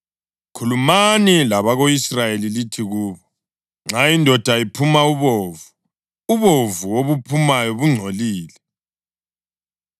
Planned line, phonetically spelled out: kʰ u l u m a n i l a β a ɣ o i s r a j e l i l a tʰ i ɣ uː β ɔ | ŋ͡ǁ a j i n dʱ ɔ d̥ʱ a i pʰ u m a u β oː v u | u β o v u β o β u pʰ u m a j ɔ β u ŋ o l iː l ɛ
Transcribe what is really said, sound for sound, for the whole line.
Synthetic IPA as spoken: kʰ u l u m a n i l a β a ɣ o i s r a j e l i l i tʰ i ɣ uː β ɔ | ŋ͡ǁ a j i n dʱ ɔ d̥ʱ a i pʰ u m a u β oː v u | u β o v u w o β u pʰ u m a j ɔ β u ŋ͡ǀʱ o l iː l ɛ

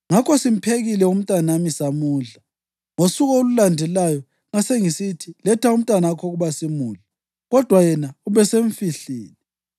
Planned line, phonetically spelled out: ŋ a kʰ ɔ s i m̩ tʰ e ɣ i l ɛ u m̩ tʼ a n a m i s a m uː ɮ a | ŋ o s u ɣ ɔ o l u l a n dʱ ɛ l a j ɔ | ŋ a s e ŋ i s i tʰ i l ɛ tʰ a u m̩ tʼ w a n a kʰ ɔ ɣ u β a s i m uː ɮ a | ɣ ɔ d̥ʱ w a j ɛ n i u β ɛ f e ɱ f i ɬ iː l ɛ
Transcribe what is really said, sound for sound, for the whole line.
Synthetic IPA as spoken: ŋ a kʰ ɔ s i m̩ pʰ e ɣ i l ɛ u m̩ tʼ a n a m i s a m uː ɮ a | ŋ o s u ɣ ɔ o l u l a n dʱ ɛ l a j ɔ | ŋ a s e ŋ i s i tʰ i l ɛ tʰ a u m̩ tʼ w a n a kʰ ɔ ɣ u β a s i m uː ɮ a | ɣ ɔ d̥ʱ w a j ɛ n a u β ɛ s e ɱ f i ɬ iː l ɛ

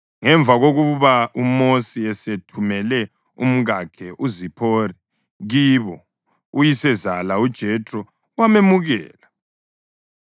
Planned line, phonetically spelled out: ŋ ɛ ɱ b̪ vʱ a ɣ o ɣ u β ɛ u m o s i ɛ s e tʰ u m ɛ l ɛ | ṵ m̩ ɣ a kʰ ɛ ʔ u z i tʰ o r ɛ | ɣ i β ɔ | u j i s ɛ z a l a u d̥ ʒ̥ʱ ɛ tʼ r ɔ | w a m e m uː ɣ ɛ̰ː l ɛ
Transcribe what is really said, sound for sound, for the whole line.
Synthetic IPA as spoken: ŋ ɛ ɱ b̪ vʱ a ɣ o ɣ u β a u m o s i ɛ s e tʰ u m ɛ l ɛ | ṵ m̩ ɣ a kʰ ɛ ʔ u z i pʰ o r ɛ | ɣ i β ɔ | u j i s ɛ z a l a u d̥ ʒ̥ʱ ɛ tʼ r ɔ | w a m e m u ɣ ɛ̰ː l a

